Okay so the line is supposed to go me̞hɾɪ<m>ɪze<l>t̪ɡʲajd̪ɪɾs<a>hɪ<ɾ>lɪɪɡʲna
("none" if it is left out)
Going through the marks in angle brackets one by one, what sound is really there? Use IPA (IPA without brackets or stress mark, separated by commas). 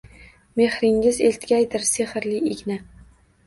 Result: ŋ, l, e, ɾ